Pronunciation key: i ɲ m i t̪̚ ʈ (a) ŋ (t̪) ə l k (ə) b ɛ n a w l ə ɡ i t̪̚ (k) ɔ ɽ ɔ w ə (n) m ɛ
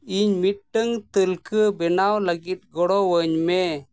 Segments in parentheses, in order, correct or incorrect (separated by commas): incorrect, correct, correct, incorrect, incorrect